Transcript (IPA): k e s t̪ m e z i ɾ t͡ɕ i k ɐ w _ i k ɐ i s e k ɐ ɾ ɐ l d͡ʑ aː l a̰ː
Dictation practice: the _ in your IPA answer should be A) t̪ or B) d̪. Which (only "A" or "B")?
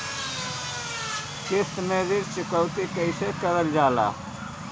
A